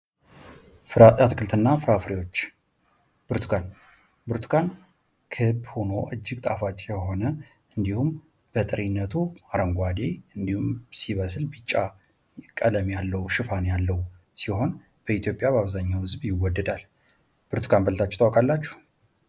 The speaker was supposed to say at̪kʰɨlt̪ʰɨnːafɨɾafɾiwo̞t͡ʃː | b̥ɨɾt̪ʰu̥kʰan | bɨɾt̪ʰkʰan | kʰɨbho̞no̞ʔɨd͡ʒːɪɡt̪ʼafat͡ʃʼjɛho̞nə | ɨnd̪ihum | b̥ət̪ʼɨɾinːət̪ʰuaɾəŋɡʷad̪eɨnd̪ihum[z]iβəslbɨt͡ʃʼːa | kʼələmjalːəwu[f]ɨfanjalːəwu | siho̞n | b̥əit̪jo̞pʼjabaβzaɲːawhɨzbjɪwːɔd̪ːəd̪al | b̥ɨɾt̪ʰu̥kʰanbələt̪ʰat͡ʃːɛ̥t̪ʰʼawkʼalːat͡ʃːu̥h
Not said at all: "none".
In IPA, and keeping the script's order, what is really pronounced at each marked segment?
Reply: s, ʃ

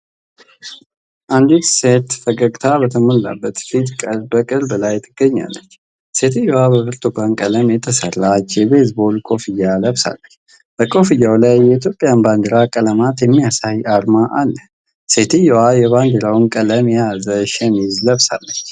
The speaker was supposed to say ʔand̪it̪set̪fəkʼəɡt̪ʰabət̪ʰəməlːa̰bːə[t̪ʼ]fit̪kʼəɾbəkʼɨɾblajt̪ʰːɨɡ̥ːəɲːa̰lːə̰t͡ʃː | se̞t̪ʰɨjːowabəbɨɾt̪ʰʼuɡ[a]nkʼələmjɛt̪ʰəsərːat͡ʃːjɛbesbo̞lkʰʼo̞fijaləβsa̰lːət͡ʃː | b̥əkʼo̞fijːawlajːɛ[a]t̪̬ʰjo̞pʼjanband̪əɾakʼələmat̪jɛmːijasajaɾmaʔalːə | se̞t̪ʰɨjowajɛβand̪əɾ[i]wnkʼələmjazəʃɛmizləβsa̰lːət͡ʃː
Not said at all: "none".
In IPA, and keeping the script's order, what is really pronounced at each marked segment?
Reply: t̪, a, i, a

